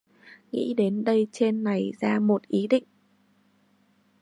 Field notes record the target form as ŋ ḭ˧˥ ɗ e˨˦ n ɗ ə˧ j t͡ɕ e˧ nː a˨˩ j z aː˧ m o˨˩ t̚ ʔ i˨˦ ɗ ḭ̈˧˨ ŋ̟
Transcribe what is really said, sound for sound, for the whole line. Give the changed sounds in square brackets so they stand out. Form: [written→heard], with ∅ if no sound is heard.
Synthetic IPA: ŋ ḭ˧˥ ɗ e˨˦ n ɗ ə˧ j t͡ɕ e˧ nː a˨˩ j z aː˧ m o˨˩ t̚ ʔ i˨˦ ɗ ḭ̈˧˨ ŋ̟